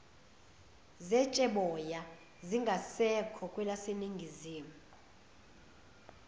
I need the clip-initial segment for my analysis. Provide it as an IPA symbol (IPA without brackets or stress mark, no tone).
z